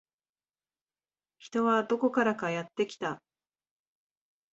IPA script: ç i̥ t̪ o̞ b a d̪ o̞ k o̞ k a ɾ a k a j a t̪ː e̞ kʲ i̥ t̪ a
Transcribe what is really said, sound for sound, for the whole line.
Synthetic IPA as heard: ç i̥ t̪ o̞ β a d̪ o̞ k o̞ k a ɾ a k a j a t̪ː e̞ kʲ i̥ t̪ a